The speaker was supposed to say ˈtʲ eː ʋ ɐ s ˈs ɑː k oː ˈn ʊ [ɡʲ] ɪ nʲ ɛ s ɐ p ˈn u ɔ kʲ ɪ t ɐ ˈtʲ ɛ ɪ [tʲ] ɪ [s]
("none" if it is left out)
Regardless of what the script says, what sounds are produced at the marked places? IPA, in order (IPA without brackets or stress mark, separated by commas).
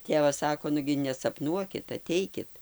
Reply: ɡʲ, kʲ, t